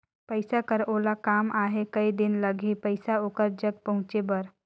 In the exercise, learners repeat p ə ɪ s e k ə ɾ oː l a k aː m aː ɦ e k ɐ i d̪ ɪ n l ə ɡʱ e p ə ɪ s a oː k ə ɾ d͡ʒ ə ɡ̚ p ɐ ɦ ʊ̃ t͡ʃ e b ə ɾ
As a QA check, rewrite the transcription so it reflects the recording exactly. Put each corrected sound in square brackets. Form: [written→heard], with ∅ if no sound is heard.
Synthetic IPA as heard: p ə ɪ s [e→a] k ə ɾ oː l a k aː m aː ɦ e k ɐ i d̪ ɪ n l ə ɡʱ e p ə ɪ s a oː k ə ɾ d͡ʒ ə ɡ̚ p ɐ ɦ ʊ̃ t͡ʃ e b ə ɾ